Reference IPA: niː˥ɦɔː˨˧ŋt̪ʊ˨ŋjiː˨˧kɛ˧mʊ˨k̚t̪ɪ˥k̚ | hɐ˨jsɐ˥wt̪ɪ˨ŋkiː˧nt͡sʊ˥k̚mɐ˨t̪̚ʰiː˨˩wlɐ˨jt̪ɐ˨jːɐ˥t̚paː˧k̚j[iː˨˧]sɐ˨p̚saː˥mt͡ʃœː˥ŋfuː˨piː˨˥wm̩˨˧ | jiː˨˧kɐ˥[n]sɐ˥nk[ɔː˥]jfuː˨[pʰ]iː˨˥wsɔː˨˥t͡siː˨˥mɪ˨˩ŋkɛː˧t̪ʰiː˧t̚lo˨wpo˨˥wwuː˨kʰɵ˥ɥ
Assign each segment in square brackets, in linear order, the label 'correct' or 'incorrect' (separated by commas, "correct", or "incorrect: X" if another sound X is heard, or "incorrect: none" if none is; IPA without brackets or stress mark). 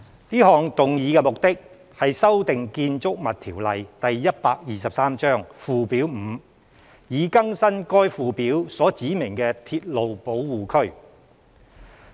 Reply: correct, incorrect: ŋ, correct, incorrect: p